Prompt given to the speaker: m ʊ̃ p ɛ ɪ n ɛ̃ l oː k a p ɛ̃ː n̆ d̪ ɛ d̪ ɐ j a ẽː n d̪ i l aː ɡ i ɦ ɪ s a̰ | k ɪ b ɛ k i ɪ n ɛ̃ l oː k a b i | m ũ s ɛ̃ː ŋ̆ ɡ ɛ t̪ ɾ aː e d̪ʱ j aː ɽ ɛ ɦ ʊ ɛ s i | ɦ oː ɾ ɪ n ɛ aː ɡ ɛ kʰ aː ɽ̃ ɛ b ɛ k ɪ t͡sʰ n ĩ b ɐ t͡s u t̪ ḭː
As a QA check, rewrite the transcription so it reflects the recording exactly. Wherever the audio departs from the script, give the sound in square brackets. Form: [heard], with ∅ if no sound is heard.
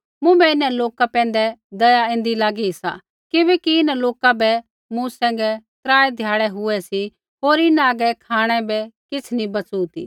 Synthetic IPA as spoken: m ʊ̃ [b] ɛ ɪ n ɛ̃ l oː k a p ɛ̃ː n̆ d̪ ɛ d̪ ɐ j a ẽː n d̪ i l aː ɡ i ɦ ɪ s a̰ | k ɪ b ɛ k i ɪ n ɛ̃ l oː k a b [ɛ] | m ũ s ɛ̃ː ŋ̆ ɡ ɛ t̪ ɾ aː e d̪ʱ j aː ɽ ɛ ɦ ʊ ɛ s i | ɦ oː ɾ ɪ n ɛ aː ɡ ɛ kʰ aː ɽ̃ ɛ b ɛ k ɪ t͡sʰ n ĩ b ɐ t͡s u t̪ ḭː